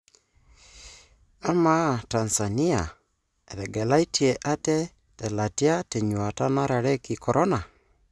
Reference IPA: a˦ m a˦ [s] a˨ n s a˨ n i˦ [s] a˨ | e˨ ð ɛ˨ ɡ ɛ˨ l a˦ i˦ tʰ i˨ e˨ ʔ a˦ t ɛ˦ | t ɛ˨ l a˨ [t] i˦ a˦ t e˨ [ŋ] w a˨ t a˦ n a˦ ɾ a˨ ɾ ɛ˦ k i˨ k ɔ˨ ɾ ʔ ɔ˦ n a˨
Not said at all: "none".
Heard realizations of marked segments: t, none, t, ɲ

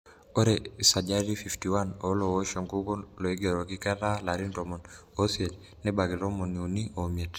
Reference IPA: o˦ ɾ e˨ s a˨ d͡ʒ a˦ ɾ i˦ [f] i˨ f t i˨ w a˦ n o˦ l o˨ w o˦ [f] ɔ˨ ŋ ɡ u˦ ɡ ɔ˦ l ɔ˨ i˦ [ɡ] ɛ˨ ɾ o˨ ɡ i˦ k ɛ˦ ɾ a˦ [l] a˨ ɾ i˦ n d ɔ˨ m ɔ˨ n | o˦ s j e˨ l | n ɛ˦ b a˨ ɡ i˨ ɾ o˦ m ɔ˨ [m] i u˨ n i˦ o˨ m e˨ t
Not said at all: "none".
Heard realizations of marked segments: f, ʃ, ɡ, l, n

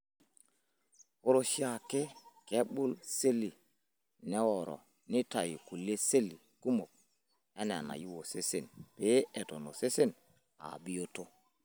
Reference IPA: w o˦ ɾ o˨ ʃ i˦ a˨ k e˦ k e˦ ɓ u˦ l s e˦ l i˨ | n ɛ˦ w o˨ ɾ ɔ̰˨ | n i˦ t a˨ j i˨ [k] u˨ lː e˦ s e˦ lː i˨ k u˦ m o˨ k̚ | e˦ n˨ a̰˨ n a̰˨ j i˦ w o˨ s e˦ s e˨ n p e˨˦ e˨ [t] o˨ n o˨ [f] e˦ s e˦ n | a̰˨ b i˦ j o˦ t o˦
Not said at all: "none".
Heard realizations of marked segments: k, t, s

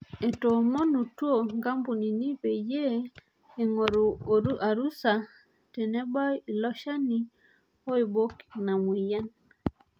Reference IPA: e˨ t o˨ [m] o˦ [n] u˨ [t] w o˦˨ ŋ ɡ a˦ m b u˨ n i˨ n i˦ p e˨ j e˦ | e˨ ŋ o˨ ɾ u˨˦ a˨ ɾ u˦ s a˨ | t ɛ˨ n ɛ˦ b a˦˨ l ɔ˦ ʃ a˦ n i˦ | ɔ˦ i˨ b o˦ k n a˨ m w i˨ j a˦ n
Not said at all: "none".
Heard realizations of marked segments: m, n, t

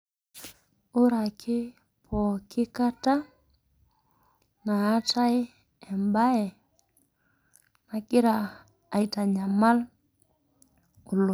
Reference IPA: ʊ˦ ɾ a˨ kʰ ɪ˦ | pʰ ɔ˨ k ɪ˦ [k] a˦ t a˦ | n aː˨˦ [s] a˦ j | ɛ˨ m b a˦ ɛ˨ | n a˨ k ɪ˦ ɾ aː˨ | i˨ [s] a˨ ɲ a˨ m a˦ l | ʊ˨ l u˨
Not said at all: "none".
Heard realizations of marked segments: k, t, t

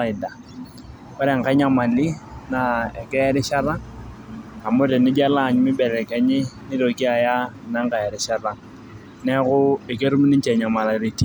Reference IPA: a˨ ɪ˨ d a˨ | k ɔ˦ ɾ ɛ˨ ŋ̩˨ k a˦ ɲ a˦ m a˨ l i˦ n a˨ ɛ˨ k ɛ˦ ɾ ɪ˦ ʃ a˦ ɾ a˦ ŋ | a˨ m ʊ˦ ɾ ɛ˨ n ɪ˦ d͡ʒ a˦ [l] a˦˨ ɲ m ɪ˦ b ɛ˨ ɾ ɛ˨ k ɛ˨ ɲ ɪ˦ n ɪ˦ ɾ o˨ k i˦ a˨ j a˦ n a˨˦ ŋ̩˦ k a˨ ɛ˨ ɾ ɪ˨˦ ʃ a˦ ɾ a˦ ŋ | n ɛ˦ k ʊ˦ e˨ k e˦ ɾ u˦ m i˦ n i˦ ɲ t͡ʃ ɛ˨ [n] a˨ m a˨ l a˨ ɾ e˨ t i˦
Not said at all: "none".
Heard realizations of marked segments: l, ɲ

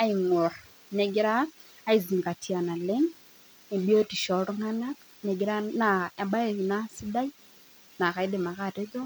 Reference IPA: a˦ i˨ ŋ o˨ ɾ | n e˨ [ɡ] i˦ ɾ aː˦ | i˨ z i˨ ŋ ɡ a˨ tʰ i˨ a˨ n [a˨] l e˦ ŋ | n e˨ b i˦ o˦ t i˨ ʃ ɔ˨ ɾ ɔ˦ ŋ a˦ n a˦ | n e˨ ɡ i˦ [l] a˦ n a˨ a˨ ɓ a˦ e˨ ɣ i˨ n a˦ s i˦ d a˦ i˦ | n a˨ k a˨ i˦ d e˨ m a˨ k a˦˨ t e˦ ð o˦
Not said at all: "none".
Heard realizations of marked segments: ɡ, a˨, ɾ

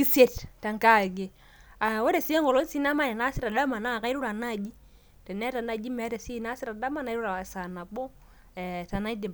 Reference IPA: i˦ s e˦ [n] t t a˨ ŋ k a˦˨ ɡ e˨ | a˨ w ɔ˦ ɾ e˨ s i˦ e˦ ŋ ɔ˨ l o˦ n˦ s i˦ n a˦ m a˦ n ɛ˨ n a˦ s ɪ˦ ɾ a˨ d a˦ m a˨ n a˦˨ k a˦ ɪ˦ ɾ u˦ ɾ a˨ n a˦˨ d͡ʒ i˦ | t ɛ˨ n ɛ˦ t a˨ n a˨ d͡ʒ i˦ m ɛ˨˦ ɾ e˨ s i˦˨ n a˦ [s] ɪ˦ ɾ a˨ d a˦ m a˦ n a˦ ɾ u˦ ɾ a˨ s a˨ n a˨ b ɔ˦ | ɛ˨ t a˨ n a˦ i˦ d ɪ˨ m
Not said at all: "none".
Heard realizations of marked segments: none, s

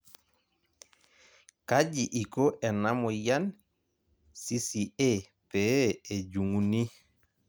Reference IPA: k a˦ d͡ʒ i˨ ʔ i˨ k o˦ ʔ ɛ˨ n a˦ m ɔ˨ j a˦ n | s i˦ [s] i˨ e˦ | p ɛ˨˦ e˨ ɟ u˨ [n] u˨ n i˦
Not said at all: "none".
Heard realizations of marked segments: s, ŋ

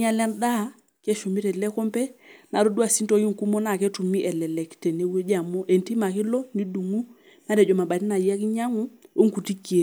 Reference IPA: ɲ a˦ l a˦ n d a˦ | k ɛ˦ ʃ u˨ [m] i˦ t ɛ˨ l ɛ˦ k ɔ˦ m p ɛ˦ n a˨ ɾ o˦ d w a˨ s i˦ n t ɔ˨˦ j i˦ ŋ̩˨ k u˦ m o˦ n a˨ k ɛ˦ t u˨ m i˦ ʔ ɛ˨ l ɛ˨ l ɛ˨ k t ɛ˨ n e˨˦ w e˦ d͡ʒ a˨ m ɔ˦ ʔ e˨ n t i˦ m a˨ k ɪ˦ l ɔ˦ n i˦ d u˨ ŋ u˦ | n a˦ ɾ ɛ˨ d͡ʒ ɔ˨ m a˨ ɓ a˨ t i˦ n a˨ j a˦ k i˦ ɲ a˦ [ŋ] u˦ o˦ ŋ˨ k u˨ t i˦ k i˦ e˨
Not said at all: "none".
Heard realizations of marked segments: m, ŋ

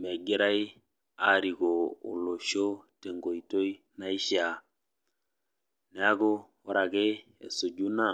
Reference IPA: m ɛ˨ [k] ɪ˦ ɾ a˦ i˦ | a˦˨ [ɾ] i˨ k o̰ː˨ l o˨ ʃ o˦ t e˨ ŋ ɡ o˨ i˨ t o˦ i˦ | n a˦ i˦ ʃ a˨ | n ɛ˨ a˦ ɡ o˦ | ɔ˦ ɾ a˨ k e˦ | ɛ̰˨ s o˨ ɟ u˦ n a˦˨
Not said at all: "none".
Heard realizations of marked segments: ɡ, ɾ

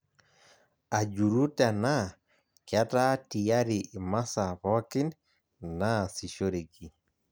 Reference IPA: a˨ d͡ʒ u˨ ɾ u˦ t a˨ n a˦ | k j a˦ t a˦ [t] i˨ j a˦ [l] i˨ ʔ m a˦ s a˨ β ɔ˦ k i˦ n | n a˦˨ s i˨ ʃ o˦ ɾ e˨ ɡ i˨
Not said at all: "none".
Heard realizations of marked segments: t, ɾ

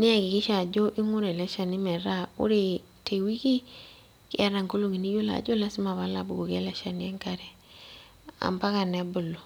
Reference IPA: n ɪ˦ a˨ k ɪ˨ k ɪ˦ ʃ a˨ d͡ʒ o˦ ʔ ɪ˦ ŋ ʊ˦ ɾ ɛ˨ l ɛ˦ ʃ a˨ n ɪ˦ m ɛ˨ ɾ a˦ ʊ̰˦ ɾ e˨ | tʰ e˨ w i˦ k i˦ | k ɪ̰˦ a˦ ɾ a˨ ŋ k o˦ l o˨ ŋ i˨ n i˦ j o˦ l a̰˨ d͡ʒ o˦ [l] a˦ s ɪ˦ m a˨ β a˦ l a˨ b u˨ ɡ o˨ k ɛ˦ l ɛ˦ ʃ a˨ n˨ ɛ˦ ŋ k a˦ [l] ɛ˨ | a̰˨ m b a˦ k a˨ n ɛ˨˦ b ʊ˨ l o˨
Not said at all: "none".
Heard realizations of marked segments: l, ɾ

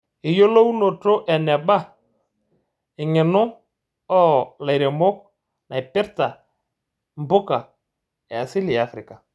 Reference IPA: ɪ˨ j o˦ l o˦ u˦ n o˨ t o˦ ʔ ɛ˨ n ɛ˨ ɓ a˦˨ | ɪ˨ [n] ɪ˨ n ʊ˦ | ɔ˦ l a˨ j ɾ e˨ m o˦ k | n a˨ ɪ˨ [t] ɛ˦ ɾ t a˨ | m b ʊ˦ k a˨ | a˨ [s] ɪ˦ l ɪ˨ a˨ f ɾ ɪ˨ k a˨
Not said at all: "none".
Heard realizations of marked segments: ŋ, p, s

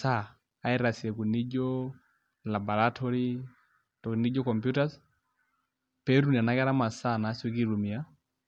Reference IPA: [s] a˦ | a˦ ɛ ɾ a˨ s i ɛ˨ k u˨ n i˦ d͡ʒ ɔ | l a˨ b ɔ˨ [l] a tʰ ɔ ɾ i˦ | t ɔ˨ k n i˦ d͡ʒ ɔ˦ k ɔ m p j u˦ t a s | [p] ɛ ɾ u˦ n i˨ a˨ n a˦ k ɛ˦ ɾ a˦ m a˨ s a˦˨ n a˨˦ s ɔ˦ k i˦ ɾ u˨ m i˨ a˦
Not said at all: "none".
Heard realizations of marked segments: s, ɾ, p

